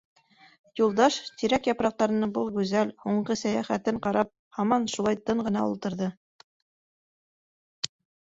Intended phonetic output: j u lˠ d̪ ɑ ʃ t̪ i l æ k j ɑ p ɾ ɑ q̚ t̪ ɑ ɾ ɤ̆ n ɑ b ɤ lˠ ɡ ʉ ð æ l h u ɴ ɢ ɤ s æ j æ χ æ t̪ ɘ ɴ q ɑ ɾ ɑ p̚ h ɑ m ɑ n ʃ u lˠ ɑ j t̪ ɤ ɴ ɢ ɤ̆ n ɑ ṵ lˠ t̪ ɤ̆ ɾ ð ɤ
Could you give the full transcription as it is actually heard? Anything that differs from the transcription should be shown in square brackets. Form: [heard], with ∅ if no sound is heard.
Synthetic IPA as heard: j u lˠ d̪ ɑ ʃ t̪ i [ɾ] æ k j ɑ p ɾ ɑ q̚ t̪ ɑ ɾ ɤ̆ n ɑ b ɤ lˠ ɡ ʉ [z] æ l h u ɴ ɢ ɤ s æ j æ χ æ t̪ ɘ ɴ q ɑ ɾ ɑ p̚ h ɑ m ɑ n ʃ u lˠ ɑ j t̪ ɤ ɴ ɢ ɤ̆ n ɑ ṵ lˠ t̪ ɤ̆ ɾ ð ɤ